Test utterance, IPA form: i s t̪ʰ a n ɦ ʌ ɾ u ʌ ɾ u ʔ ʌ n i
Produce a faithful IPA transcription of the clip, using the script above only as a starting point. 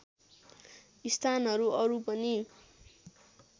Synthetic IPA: i s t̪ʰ a n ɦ ʌ ɾ u ʌ ɾ u p ʌ n i